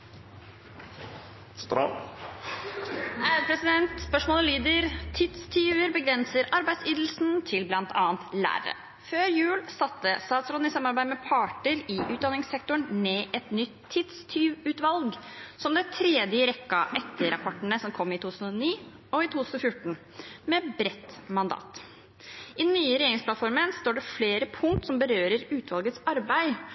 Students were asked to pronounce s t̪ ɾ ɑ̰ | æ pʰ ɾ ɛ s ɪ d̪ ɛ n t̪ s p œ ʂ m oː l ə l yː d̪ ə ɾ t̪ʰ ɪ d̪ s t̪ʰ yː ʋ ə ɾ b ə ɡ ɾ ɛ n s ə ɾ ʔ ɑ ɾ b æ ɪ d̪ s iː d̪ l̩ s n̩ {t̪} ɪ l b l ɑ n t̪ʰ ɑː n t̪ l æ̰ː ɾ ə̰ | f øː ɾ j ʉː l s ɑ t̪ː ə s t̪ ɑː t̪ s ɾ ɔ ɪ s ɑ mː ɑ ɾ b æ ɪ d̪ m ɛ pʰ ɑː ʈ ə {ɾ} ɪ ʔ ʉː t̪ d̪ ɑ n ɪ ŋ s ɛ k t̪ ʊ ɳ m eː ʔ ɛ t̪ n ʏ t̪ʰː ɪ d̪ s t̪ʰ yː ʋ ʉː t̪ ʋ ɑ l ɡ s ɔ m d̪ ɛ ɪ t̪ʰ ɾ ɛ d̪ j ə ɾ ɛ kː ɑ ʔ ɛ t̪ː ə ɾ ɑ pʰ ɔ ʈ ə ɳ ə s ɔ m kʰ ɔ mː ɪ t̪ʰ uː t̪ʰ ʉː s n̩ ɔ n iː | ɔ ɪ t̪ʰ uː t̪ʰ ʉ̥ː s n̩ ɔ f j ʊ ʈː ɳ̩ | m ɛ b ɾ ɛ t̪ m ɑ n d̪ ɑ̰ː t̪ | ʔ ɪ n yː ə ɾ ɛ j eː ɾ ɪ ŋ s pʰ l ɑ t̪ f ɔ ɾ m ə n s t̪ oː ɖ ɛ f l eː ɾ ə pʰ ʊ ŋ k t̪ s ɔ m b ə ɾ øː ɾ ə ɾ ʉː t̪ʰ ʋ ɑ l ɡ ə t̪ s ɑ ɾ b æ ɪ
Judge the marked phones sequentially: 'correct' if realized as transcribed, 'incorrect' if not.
incorrect: t̪ʰ, correct

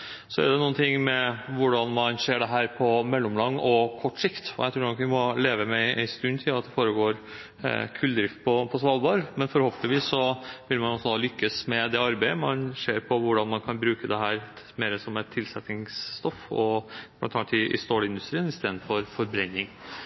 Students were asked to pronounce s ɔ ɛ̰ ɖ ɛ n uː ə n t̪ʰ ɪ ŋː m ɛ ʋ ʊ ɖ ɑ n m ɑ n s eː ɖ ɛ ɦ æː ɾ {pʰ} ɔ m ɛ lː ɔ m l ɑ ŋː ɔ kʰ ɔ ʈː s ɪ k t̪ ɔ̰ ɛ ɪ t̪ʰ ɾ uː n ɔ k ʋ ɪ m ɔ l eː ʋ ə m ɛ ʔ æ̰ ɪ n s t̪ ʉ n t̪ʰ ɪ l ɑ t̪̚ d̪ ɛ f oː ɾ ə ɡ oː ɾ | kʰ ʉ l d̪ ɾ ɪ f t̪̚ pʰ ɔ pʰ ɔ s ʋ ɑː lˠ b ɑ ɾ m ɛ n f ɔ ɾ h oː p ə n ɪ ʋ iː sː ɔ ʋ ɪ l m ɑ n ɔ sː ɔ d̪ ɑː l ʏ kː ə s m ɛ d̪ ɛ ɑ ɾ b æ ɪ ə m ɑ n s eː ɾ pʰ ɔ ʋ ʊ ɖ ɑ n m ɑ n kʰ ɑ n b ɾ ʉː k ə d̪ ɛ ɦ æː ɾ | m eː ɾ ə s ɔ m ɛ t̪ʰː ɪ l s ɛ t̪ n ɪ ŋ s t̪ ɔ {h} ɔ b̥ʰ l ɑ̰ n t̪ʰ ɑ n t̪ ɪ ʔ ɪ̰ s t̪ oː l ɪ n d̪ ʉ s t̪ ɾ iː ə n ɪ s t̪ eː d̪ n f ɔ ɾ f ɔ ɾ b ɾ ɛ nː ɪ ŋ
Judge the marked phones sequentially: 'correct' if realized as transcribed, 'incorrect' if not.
correct, incorrect: f

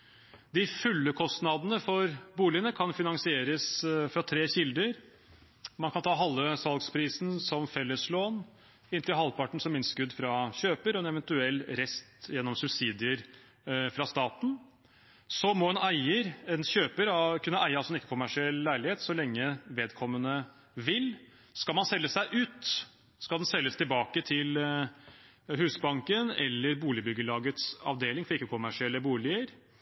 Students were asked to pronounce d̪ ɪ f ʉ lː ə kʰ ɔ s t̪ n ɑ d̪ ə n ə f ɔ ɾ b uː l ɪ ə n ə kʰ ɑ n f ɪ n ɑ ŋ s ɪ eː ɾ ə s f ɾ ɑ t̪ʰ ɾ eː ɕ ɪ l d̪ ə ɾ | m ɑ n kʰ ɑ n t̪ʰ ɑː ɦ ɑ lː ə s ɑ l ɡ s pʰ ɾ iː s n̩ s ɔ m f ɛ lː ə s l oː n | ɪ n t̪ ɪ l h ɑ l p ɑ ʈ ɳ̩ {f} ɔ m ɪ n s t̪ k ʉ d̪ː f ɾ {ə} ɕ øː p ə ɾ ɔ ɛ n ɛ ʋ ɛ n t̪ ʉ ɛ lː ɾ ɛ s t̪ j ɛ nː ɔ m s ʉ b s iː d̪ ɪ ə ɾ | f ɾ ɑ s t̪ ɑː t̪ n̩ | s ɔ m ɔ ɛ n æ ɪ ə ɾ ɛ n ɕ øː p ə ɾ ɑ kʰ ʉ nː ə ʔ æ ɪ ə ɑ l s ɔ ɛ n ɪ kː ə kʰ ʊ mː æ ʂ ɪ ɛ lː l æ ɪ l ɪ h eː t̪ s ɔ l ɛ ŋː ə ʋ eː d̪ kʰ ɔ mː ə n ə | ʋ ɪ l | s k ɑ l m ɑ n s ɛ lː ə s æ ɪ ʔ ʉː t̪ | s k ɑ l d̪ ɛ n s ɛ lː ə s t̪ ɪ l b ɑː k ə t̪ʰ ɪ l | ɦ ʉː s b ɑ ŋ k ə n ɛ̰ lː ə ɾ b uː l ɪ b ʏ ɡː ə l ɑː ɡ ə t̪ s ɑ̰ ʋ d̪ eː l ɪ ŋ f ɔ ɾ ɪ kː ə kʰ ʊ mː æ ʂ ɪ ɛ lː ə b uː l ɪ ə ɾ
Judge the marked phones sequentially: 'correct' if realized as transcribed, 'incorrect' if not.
incorrect: s, incorrect: ɑ

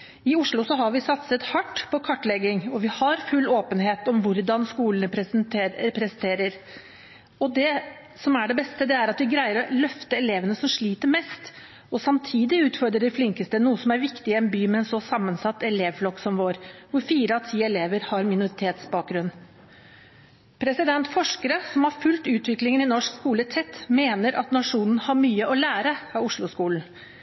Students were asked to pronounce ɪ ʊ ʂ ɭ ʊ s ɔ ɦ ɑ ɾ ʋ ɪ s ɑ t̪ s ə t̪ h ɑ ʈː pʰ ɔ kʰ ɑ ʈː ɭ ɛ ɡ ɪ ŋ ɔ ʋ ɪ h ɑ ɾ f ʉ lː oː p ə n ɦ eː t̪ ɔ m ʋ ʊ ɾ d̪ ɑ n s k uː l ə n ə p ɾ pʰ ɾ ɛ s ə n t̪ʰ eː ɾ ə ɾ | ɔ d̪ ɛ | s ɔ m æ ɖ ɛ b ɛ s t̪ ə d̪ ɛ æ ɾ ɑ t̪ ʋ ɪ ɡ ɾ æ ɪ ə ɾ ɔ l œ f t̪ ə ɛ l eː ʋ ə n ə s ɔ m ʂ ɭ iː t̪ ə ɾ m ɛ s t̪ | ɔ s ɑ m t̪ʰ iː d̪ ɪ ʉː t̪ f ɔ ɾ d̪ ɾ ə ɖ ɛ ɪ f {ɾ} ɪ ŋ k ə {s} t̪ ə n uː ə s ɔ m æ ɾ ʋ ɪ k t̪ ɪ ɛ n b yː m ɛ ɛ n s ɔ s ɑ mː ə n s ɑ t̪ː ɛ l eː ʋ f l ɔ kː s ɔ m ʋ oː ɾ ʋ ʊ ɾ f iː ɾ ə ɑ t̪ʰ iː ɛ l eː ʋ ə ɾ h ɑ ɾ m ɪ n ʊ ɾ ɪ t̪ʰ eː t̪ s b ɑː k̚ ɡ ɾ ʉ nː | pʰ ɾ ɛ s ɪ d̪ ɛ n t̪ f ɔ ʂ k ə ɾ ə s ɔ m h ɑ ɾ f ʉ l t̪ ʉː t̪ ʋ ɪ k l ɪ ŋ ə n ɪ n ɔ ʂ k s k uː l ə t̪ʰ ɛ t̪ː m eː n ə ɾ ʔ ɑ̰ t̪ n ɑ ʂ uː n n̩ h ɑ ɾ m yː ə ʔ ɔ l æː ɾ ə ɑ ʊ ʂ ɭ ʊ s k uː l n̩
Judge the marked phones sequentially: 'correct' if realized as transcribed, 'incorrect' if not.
incorrect: l, correct

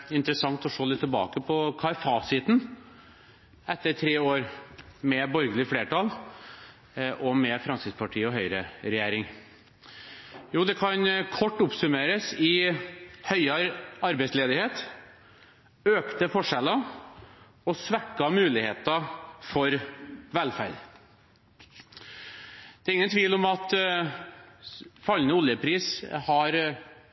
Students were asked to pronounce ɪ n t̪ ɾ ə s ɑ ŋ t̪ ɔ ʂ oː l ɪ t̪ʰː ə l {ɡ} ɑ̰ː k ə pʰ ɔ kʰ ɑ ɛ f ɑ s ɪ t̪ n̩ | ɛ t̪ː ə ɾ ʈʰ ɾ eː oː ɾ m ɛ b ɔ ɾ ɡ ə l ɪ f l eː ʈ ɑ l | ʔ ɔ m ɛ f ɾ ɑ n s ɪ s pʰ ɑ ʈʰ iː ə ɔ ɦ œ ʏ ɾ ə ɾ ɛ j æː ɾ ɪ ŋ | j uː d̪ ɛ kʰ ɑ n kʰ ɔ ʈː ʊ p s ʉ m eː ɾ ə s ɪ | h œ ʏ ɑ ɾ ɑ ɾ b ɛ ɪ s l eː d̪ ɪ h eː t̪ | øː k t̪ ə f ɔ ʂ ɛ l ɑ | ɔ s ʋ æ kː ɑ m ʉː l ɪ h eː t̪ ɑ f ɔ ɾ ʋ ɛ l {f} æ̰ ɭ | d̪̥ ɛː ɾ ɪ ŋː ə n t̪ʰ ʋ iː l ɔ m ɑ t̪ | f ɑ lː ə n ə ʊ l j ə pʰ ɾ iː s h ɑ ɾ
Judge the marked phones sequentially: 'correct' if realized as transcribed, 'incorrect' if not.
incorrect: b, correct

